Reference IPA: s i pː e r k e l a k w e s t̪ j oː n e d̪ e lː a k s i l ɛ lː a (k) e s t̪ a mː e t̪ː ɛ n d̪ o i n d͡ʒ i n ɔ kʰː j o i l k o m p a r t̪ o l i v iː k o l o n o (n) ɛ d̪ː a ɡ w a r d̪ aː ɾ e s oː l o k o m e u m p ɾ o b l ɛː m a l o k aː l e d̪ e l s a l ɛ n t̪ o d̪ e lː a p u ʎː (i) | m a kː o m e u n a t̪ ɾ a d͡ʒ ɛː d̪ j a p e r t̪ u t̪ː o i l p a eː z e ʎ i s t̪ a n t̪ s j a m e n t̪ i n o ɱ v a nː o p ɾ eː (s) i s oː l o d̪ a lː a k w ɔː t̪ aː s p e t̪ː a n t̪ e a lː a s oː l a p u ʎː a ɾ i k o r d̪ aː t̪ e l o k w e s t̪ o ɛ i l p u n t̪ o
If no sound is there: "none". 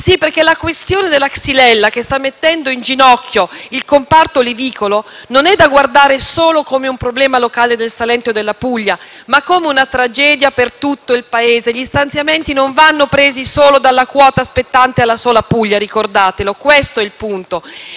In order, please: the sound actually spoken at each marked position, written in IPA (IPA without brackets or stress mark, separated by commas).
k, n, a, z